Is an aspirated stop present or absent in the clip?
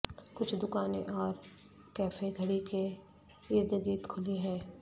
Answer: present